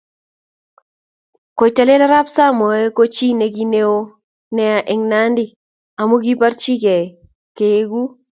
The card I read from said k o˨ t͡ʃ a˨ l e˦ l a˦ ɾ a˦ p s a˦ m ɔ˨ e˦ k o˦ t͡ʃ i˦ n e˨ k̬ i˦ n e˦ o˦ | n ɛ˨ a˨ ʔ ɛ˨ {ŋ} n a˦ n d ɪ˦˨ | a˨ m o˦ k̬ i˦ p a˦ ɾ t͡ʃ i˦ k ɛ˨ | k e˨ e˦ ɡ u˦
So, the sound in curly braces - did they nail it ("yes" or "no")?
yes